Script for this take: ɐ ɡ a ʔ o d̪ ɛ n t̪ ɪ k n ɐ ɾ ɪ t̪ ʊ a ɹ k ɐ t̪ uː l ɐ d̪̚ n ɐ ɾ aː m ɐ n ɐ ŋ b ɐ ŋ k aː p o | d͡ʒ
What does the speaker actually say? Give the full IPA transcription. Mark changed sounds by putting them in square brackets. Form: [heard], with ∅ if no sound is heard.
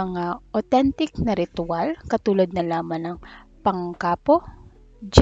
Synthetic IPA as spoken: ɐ [ŋ] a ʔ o [t̪] ɛ n t̪ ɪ k n ɐ ɾ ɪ t̪ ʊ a [l] k ɐ t̪ uː l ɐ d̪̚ n ɐ [l] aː m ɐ n ɐ ŋ [p] ɐ ŋ k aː p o | d͡ʒ